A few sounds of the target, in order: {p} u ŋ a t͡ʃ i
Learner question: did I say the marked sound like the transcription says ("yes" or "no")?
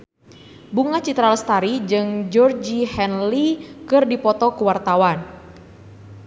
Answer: no